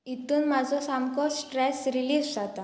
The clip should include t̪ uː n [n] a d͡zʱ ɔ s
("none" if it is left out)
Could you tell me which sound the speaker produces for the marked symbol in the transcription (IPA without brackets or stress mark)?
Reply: m